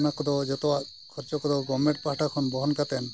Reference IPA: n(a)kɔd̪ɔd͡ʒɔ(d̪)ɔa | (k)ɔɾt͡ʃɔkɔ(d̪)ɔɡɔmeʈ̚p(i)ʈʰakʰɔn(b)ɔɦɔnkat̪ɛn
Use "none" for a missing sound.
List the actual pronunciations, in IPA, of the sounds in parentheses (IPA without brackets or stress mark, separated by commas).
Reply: a, t̪, kʰ, d̪, a, b